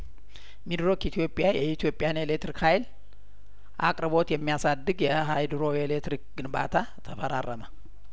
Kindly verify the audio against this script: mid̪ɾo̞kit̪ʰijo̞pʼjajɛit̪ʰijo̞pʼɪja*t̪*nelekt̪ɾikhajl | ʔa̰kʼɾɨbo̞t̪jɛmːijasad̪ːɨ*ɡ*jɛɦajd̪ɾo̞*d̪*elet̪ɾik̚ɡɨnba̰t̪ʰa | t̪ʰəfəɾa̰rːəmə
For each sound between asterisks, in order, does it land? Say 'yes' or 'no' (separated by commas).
no, yes, no